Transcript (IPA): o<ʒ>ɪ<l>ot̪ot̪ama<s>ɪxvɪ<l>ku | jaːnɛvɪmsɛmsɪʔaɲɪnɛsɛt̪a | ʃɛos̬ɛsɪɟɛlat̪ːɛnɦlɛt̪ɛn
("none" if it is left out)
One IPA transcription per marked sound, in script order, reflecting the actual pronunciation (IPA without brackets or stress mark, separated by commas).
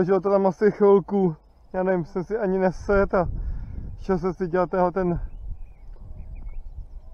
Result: ʒ, l, s, l